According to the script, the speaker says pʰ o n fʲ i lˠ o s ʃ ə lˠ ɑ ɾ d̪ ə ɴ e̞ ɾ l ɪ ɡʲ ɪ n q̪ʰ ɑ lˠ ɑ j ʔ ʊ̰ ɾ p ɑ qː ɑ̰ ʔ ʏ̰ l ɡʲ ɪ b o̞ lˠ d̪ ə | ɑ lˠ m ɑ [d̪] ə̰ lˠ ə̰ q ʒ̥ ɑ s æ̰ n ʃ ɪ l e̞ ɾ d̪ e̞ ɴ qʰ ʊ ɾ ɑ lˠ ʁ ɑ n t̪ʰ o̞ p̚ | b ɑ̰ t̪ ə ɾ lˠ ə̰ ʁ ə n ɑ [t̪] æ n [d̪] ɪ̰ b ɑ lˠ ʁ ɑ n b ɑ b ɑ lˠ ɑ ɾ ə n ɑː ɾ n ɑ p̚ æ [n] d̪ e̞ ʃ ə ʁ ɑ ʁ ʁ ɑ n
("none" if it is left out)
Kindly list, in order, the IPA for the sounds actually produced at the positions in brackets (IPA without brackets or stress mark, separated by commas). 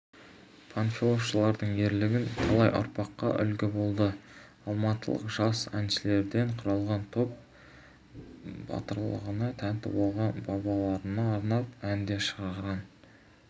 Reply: t̪, t̪ʰ, t̪, n